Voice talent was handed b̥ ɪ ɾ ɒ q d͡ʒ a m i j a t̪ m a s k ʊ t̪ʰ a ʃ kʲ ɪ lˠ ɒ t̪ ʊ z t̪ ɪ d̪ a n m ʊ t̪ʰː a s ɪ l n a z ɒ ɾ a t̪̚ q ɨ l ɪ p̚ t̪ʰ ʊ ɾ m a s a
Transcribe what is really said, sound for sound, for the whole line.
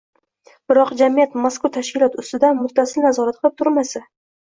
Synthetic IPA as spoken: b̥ ɪ ɾ ɒ q d͡ʒ a m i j a t̪ m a s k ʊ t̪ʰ a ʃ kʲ ɪ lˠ ɒ t̪ ʊ s t̪ ɪ d̪ a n m ʊ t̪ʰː a s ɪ l n a z ɒ ɾ a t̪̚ q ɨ l ɪ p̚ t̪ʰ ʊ ɾ m a s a